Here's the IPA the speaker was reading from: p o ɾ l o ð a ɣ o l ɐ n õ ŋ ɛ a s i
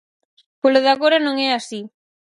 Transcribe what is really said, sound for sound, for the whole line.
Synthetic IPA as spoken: p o l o ð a ɣ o ɾ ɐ n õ ŋ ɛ a s i